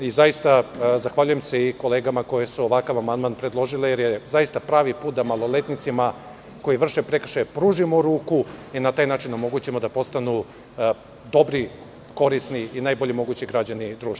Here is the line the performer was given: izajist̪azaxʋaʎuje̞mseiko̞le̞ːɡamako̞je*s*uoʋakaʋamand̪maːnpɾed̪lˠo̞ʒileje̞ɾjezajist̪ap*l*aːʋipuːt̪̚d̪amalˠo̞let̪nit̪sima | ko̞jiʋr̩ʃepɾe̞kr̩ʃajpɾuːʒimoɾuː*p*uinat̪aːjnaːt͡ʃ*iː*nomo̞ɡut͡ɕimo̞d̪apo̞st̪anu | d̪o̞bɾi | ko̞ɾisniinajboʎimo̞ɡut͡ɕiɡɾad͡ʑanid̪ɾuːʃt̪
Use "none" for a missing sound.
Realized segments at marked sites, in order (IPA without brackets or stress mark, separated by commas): s, ɾ, k, i